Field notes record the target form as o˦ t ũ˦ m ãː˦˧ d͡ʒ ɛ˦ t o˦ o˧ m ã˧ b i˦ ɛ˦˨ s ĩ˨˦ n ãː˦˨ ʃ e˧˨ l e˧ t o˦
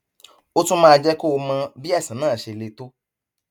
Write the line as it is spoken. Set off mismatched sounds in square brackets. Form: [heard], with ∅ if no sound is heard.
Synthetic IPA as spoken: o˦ t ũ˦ m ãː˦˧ d͡ʒ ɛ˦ [k] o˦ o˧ m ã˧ b i˦ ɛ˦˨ s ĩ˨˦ n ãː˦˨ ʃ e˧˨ l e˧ t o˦

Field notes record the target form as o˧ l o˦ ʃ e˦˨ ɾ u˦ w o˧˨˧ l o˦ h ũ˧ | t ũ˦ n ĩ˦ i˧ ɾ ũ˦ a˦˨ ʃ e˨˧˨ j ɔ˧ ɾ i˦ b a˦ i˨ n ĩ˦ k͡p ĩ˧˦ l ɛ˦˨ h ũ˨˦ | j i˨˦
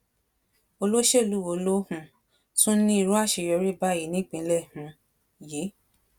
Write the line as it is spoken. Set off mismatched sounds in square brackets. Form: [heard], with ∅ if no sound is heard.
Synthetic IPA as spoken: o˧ l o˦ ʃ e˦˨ [l] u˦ w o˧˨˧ l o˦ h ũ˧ | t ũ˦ n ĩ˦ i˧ ɾ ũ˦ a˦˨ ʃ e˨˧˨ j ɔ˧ ɾ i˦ b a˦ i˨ n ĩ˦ k͡p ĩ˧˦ l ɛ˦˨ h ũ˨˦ | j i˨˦

